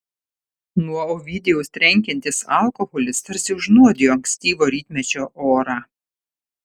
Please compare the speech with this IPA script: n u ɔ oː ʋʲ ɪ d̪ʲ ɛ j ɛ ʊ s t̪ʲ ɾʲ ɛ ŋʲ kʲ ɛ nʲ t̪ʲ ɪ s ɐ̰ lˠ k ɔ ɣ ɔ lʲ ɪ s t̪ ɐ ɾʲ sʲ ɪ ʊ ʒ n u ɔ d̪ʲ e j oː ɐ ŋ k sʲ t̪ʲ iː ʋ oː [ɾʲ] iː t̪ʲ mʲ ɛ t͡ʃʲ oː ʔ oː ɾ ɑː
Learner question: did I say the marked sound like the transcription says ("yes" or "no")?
yes